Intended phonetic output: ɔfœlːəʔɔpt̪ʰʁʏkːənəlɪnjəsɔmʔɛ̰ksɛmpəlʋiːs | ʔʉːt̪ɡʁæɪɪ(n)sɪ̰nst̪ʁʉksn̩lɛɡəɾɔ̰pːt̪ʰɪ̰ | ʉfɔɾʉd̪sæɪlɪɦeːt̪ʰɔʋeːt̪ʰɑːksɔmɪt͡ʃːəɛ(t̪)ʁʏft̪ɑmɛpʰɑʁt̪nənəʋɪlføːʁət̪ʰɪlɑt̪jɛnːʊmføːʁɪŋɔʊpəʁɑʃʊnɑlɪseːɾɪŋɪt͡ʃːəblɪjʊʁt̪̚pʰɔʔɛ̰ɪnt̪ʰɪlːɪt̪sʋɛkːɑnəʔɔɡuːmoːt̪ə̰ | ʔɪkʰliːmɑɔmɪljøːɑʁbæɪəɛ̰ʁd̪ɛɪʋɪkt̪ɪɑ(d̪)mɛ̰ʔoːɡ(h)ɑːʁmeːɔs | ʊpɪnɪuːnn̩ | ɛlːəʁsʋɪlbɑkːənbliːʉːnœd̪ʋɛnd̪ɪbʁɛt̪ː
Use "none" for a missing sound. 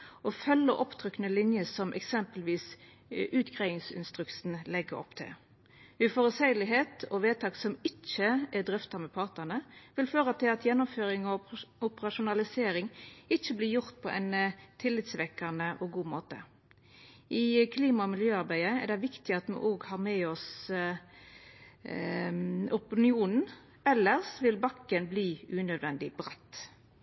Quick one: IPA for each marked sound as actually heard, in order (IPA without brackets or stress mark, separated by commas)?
ŋ, d̪, t̪, h